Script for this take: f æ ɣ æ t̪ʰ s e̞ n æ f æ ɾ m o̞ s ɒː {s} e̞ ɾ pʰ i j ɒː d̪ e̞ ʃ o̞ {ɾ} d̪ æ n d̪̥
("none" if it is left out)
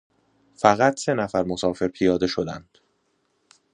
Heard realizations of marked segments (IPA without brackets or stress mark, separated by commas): f, none